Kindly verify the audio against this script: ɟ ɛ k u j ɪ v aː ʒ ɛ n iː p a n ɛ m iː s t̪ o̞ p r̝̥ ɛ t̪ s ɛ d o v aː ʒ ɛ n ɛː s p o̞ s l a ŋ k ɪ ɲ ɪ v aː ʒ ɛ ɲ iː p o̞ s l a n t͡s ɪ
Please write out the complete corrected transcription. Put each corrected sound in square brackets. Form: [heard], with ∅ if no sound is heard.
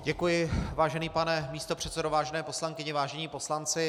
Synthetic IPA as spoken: ɟ ɛ k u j ɪ v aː ʒ ɛ n iː p a n ɛ m iː s t̪ o̞ p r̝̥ ɛ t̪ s ɛ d o v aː ʒ ɛ n ɛː [∅] p o̞ s l a ŋ k ɪ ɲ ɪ v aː ʒ ɛ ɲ iː p o̞ s l a n t͡s ɪ